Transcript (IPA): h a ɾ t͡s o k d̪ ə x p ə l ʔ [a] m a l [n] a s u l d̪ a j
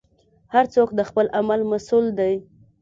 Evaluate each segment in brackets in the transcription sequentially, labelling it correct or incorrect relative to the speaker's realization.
correct, incorrect

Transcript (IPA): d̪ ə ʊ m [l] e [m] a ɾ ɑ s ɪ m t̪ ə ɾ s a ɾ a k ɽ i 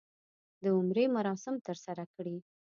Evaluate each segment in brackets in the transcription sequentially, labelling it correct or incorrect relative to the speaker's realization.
incorrect, correct

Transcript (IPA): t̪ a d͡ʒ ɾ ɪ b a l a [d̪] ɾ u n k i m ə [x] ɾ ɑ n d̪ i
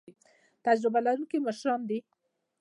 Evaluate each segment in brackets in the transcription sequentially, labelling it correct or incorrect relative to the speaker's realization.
incorrect, incorrect

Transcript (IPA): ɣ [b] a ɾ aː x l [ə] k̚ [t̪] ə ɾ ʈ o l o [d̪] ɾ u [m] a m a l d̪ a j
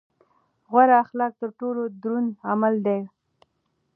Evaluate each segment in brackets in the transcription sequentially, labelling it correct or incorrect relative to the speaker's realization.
incorrect, incorrect, correct, correct, incorrect

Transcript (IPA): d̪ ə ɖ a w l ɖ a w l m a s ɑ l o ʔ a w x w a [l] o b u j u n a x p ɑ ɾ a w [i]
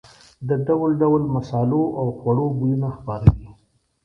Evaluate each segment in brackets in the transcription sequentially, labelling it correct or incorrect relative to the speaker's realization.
incorrect, correct

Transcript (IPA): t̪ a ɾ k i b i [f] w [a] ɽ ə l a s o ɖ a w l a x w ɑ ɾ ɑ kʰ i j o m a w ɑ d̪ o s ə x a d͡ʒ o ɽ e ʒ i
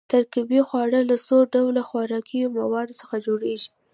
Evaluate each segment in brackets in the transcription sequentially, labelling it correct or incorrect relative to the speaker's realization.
incorrect, incorrect

